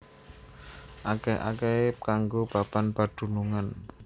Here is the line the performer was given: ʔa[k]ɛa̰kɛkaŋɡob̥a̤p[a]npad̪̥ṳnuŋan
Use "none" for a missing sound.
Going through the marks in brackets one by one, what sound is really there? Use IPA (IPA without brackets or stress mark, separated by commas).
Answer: k, a